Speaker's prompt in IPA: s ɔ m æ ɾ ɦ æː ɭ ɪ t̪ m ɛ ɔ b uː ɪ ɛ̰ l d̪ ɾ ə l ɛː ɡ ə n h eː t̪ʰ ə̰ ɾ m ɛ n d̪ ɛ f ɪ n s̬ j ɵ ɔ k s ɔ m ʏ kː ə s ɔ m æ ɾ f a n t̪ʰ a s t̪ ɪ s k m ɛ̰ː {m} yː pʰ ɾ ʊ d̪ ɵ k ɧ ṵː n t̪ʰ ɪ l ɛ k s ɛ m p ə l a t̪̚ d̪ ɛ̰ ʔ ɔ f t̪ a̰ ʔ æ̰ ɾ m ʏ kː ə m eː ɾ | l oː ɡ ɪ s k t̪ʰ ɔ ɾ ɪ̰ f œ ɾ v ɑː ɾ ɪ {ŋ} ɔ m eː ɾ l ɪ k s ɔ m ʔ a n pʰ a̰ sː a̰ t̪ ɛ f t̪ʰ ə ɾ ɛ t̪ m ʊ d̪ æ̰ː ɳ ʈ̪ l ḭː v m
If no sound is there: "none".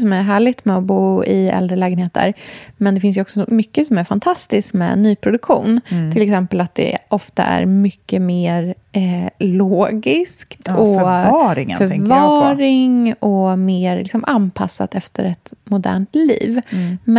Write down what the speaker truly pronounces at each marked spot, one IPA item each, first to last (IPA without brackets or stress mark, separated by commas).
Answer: n, ŋ